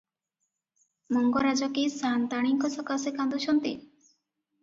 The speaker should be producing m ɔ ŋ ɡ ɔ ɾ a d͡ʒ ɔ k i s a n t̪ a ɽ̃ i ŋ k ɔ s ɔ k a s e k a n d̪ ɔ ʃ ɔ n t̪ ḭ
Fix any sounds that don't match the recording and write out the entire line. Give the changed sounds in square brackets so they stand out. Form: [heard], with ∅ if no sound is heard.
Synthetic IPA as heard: m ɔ ŋ ɡ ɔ ɾ a d͡ʒ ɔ k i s a n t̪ a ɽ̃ i ŋ k ɔ s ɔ k a s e k a n d̪ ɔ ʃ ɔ n t̪ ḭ

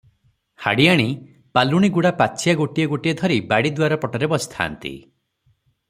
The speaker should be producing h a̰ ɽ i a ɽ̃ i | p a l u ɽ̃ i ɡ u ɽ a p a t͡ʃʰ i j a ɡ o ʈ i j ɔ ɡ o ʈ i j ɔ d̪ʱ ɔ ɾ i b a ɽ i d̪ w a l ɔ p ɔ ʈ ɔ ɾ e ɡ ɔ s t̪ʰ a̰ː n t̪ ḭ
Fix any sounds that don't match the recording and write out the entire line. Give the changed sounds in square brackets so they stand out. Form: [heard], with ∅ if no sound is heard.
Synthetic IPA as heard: h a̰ ɽ i a ɽ̃ i | p a l u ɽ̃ i ɡ u ɽ a p a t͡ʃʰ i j a ɡ o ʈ i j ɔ ɡ o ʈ i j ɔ d̪ʱ ɔ ɾ i b a ɽ i d̪ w a [ɾ] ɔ p ɔ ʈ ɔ ɾ e [b] ɔ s t̪ʰ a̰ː n t̪ ḭ

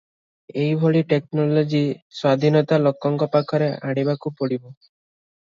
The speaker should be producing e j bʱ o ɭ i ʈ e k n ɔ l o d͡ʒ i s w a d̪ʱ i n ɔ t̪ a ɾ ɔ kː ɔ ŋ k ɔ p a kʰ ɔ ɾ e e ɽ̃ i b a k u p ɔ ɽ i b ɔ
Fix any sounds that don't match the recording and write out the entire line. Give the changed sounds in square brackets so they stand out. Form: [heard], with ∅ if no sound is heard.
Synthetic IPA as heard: e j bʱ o ɭ i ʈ e k n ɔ l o d͡ʒ i s w a d̪ʱ i n ɔ t̪ a [l] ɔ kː ɔ ŋ k ɔ p a kʰ ɔ ɾ e [a] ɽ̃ i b a k u p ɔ ɽ i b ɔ

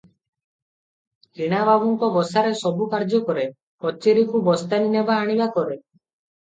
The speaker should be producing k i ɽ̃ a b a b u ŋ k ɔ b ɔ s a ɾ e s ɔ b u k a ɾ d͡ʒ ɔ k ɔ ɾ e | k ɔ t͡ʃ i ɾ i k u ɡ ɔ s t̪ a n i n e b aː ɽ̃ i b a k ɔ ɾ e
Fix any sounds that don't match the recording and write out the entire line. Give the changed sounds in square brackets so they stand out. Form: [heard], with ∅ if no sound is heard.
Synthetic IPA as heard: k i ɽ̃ a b a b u ŋ k ɔ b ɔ s a ɾ e s ɔ b u k a ɾ d͡ʒ ɔ k ɔ ɾ e | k ɔ t͡ʃ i ɾ i k u [b] ɔ s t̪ a n i n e b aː ɽ̃ i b a k ɔ ɾ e

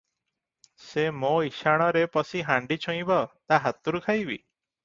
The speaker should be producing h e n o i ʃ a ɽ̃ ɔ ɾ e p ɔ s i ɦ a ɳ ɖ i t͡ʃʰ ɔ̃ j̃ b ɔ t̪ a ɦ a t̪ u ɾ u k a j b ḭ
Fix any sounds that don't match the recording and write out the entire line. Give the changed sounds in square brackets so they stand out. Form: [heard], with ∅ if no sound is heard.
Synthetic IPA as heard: [s] e [m] o i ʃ a ɽ̃ ɔ ɾ e p ɔ s i ɦ a ɳ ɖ i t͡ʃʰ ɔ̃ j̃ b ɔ t̪ a ɦ a t̪ u ɾ u [kʰ] a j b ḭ

